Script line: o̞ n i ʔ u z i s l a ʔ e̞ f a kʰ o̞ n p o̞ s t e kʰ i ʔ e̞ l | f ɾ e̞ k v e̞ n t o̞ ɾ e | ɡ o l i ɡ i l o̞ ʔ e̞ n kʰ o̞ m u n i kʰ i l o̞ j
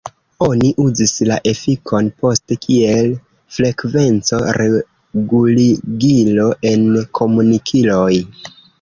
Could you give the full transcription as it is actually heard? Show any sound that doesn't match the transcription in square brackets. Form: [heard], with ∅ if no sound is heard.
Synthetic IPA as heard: o̞ n i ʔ u z i s l a ʔ e̞ f [i] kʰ o̞ n p o̞ s t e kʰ i [∅] e̞ l | f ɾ e̞ k v e̞ n [t͡s] o̞ ɾ e | ɡ [u] l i ɡ i l o̞ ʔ e̞ n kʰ o̞ m u n i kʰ i l o̞ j